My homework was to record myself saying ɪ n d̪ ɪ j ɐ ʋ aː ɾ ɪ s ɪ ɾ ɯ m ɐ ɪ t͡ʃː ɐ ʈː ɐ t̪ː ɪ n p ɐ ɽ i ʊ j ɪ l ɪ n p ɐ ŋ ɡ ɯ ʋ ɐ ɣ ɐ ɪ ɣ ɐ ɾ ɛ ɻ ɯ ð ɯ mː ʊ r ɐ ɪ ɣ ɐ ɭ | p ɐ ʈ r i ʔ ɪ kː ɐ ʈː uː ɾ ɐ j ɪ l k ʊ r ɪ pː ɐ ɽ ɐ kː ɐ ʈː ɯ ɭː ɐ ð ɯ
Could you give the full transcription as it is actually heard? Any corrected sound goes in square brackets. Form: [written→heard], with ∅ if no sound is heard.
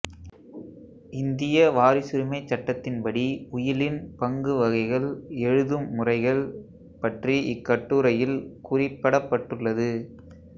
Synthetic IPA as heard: ɪ n d̪ ɪ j ɐ ʋ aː ɾ ɪ s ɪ ɾ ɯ m ɐ ɪ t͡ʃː ɐ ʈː ɐ t̪ː ɪ n p ɐ ɽ i ʊ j ɪ l ɪ n p ɐ ŋ ɡ ɯ ʋ ɐ ɣ ɐ ɪ ɣ ɐ [ɾ→ɭ] ɛ ɻ ɯ ð ɯ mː ʊ r ɐ ɪ ɣ ɐ ɭ | p ɐ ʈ r i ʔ ɪ kː ɐ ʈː uː ɾ ɐ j ɪ l k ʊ r ɪ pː ɐ ɽ ɐ [kː→pː] ɐ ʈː ɯ ɭː ɐ ð ɯ